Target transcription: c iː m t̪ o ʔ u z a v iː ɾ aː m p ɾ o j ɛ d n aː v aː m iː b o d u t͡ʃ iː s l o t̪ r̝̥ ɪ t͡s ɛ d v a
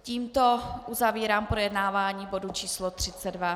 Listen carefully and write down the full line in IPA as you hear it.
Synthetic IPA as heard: c iː m t̪ o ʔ u z a v iː ɾ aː m p ɾ o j ɛ d n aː v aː ɲ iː b o d u t͡ʃ iː s l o t̪ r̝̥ ɪ t͡s ɛ d v a

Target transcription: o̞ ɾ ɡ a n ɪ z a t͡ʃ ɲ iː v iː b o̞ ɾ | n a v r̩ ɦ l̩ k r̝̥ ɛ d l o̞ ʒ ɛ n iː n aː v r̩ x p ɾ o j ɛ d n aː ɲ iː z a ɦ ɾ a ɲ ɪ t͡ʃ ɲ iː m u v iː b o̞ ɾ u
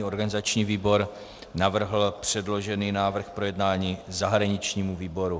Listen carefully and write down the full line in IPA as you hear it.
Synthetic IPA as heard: o̞ ɾ ɡ a n ɪ z a t͡ʃ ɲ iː v iː b o̞ ɾ | n a v r̩ ɦ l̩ p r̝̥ ɛ d l o̞ ʒ ɛ n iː n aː v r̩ x p ɾ o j ɛ d n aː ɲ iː z a ɦ ɾ a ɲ ɪ t͡ʃ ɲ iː m u v iː b o̞ ɾ u

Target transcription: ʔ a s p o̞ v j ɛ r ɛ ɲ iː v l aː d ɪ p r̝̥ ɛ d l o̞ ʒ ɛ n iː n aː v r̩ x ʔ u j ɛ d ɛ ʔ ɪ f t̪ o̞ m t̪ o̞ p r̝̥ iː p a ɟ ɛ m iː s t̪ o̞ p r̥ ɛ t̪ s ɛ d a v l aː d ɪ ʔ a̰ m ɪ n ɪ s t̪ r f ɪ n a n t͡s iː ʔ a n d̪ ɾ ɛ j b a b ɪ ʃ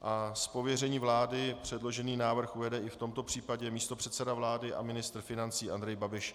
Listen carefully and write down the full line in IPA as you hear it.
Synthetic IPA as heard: ʔ a s p o̞ v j ɛ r ɛ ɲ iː v l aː d ɪ p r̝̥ ɛ d l o̞ ʒ ɛ n iː n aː v r̩ x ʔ u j ɛ d ɛ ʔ ɪ f t̪ o̞ m t̪ o̞ p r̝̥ iː p a ɟ ɛ m iː s t̪ o̞ p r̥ ɛ t̪ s ɛ d a v l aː d ɪ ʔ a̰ m ɪ n ɪ s t̪ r f ɪ n a n t͡s iː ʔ a n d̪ ɾ ɛ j b a b ɪ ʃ

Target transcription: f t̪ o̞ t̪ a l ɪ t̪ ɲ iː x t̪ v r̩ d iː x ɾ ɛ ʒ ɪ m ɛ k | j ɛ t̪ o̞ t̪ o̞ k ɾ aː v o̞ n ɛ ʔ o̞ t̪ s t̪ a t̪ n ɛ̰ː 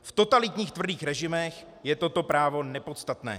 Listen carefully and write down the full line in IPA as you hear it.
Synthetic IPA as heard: f t̪ o̞ t̪ a l ɪ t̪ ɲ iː x t̪ v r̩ d iː x ɾ ɛ ʒ ɪ m ɛ x | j ɛ t̪ o̞ t̪ o̞ p ɾ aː v o̞ n ɛ p o̞ t̪ s t̪ a t̪ n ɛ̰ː

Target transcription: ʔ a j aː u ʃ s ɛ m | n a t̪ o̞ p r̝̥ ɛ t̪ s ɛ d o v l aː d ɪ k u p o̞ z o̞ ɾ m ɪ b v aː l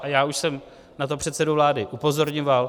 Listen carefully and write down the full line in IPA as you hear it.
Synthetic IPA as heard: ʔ a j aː u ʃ s ɛ m | n a t̪ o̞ p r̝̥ ɛ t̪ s ɛ d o v l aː d ɪ ʔ u p o̞ z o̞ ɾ ɲ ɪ m v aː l

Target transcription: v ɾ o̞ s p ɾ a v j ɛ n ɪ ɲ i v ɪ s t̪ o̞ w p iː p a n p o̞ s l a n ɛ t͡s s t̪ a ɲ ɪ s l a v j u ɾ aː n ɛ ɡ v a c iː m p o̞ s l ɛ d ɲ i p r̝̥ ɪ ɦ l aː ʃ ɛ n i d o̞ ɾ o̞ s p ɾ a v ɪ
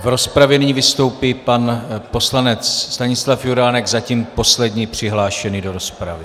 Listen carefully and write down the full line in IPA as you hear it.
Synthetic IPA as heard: v ɾ o̞ s p ɾ a v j ɛ n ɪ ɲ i v ɪ s t̪ o̞ w p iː p a n p o̞ s l a n ɛ t͡s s t̪ a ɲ ɪ s l a f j u ɾ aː n ɛ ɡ z a c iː m p o̞ s l ɛ d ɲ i p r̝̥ ɪ ɦ l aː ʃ ɛ n i d o̞ ɾ o̞ s p ɾ a v ɪ

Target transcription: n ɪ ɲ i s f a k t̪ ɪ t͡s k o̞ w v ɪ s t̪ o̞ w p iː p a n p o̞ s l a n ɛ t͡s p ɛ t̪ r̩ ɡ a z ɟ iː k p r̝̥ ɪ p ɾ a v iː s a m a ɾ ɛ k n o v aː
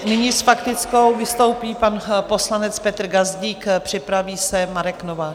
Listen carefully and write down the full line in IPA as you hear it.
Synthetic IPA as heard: n ɪ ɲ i s f a k t̪ ɪ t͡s k o̞ w v ɪ s t̪ o̞ w p iː p a n p o̞ s l a n ɛ t͡s p ɛ t̪ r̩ ɡ a z ɟ iː k p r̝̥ ɪ p ɾ a v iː s ɛ m a ɾ ɛ k n o v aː

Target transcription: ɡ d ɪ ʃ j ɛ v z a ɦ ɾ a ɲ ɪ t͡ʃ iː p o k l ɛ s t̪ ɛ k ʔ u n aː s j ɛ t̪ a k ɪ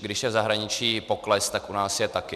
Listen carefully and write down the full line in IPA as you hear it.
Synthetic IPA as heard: ɡ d ɪ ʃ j ɛ v z a ɦ ɾ a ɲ ɪ t͡ʃ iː p o k l ɛ s t̪ a k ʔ u n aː s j ɛ t̪ a k ɪ

